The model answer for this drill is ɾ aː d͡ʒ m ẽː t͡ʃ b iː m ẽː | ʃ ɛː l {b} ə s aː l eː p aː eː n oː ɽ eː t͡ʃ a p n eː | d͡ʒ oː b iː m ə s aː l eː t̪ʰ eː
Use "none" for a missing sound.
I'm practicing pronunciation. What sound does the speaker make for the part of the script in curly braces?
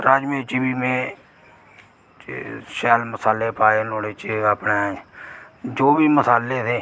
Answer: m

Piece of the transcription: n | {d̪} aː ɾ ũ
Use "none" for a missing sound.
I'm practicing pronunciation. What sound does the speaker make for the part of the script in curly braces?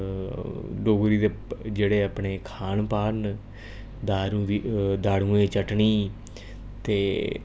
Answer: d̪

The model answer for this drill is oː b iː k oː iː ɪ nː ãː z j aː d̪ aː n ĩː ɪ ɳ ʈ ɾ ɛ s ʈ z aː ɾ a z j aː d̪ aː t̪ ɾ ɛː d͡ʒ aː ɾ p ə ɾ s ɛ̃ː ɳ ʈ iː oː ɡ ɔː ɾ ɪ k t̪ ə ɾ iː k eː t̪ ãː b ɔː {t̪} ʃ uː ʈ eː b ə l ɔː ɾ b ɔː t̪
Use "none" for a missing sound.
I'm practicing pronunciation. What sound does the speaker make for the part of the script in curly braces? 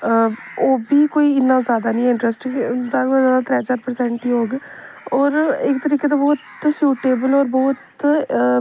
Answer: t̪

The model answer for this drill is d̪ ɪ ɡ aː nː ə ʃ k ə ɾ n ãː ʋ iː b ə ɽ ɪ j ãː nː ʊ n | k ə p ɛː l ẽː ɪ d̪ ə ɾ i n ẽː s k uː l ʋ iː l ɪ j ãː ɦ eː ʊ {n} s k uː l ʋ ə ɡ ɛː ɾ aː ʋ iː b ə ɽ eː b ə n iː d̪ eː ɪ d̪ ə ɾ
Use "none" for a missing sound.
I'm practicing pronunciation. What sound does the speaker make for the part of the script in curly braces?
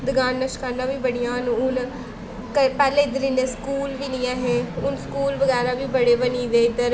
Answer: n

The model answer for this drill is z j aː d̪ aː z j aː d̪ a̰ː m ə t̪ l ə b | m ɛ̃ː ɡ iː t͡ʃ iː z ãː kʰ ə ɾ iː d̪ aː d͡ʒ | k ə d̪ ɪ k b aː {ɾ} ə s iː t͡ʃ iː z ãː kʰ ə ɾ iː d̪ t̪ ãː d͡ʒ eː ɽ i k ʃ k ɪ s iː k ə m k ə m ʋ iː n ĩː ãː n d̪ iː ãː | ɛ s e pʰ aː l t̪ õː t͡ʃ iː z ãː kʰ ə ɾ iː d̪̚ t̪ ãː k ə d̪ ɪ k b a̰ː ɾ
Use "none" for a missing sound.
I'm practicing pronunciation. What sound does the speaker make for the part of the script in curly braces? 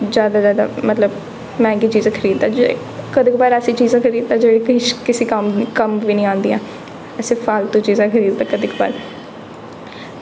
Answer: ɾ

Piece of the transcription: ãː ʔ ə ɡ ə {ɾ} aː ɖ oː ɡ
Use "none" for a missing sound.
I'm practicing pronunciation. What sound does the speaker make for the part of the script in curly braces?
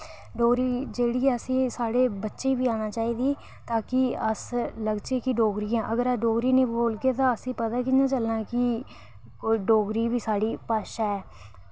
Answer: ɾ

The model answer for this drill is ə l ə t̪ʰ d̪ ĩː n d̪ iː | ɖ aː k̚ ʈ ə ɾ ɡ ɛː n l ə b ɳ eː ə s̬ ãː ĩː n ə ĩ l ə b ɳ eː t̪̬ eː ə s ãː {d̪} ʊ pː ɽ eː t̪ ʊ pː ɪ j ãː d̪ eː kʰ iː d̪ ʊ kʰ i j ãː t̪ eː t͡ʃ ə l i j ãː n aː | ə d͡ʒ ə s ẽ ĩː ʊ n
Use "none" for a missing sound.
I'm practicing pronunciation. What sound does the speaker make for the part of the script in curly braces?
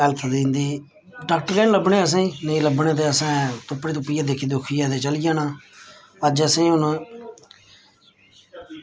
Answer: t̪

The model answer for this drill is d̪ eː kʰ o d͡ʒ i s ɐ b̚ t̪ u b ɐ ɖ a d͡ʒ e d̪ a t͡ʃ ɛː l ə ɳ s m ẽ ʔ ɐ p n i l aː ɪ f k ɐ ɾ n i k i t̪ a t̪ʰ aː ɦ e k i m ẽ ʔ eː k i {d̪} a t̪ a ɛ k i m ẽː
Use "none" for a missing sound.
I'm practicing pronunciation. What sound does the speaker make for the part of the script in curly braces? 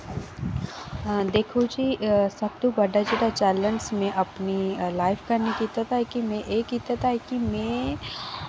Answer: t̪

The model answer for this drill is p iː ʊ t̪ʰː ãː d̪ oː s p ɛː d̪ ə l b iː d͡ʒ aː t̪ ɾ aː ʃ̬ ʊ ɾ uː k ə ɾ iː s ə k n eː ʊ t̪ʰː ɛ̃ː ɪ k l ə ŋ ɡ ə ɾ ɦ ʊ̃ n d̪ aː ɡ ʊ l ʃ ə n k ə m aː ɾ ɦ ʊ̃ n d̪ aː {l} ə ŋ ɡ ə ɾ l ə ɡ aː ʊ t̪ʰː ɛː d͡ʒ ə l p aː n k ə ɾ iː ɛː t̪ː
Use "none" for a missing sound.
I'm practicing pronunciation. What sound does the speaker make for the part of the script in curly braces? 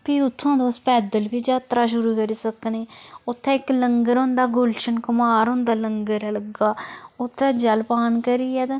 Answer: l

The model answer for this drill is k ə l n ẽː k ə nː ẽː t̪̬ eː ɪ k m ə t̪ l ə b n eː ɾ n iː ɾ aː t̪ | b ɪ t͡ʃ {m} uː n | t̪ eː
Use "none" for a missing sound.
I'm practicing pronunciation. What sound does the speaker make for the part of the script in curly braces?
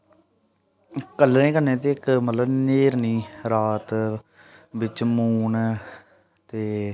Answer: m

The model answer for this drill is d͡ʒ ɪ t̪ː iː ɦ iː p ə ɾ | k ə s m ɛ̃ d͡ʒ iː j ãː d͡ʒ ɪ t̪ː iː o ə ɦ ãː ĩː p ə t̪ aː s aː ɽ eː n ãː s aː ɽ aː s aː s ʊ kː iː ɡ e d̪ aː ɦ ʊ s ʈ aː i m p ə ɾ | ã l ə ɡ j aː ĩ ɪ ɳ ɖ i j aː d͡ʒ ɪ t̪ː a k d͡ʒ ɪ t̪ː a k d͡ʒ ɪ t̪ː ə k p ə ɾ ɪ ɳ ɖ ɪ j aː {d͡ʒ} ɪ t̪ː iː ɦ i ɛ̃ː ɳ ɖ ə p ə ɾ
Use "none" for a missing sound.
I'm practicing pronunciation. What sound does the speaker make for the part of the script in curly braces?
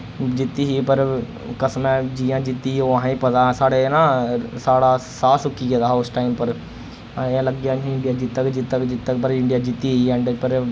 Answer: d͡ʒ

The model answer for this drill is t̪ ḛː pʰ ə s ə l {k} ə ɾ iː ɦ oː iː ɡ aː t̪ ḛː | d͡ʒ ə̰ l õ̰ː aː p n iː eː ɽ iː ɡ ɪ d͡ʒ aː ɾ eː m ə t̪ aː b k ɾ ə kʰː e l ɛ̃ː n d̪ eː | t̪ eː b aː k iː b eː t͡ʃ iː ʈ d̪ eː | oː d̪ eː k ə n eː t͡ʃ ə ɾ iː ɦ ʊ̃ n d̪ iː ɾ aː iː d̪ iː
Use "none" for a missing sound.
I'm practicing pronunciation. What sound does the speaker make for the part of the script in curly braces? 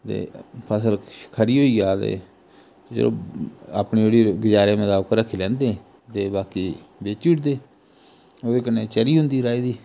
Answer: kʰ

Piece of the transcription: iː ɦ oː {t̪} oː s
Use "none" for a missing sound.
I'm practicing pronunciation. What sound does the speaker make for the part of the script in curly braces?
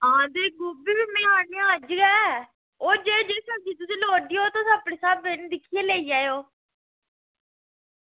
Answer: t̪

